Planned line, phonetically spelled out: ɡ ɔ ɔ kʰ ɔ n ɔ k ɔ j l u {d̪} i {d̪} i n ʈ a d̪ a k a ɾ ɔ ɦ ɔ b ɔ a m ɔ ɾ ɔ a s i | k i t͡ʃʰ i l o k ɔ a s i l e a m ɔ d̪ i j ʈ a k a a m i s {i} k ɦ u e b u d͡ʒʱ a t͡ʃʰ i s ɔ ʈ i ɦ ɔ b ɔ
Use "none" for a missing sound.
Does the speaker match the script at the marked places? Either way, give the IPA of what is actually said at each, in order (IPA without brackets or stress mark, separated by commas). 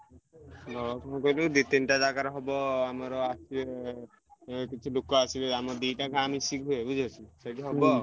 d̪, t̪, i